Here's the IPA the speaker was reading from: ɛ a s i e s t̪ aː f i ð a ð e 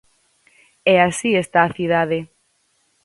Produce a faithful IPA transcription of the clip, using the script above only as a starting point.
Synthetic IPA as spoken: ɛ a s i e s t̪ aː θ i ð a ð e